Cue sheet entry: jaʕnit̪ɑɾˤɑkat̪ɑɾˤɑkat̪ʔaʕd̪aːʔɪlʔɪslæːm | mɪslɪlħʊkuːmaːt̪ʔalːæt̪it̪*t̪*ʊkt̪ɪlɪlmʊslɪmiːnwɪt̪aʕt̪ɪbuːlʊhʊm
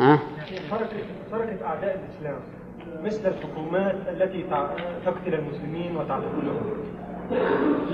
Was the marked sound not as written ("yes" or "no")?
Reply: no